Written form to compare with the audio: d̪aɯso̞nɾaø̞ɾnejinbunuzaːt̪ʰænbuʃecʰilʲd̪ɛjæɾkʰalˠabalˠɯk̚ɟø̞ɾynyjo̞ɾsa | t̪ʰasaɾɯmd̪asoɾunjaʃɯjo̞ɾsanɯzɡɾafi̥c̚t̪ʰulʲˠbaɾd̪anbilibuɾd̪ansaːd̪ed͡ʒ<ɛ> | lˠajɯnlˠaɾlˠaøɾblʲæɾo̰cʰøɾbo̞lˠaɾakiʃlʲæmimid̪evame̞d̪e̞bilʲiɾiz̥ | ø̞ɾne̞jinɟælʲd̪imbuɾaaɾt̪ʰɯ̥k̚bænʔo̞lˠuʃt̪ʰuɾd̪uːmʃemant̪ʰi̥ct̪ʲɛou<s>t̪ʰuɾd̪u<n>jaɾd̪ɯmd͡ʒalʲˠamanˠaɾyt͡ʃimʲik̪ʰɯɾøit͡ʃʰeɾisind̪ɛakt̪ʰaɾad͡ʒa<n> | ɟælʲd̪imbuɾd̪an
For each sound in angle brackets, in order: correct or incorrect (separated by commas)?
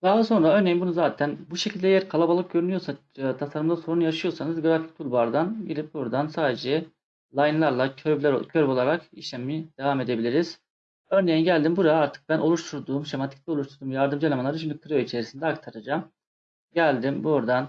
correct, incorrect, incorrect, incorrect